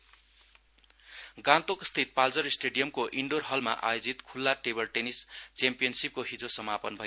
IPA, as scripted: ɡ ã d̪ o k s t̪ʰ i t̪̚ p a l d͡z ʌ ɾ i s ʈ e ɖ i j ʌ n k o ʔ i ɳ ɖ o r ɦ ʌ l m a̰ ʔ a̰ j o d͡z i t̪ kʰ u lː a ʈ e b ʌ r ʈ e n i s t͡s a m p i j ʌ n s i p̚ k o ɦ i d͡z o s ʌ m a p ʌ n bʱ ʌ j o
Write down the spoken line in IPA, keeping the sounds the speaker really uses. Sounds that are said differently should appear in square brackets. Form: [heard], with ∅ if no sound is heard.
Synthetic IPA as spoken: ɡ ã [t̪] o k s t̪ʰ i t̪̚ p a l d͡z ʌ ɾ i s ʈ e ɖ i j ʌ [m] k o ʔ i ɳ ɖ o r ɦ ʌ l m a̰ ʔ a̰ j o d͡z i t̪ kʰ u lː a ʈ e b ʌ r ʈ e n i s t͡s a m p i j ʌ n s i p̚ k o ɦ i d͡z o s ʌ m a p ʌ n bʱ ʌ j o